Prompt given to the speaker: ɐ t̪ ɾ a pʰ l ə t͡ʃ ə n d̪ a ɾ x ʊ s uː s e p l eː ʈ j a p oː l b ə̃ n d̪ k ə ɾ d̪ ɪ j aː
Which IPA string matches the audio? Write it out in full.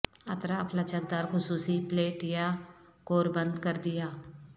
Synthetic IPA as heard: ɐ t̪ ɾ a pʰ l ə t͡ʃ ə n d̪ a ɾ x ʊ s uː s i p l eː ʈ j a k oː ɾ b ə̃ n d̪ k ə ɾ d̪ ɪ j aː